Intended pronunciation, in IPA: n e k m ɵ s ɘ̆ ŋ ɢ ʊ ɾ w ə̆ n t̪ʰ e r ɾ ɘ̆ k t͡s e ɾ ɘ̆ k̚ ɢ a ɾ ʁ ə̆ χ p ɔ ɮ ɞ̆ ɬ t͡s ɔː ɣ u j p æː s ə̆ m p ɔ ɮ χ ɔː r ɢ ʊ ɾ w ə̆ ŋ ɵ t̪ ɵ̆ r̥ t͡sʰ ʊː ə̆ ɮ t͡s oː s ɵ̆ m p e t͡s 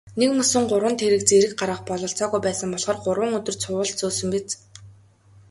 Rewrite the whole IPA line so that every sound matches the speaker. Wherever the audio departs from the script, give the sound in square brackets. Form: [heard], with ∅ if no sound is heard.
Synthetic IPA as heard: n e k m ɵ s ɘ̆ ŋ ɢ ʊ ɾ w ə̆ n t̪ʰ e [∅] ɾ ɘ̆ k t͡s e ɾ ɘ̆ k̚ ɢ a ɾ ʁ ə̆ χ p ɔ ɮ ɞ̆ ɬ t͡s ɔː ɣ u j p æː s ə̆ m p ɔ ɮ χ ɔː r ɢ ʊ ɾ w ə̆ ŋ ɵ t̪ ɵ̆ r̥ t͡sʰ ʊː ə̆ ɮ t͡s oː s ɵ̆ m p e t͡s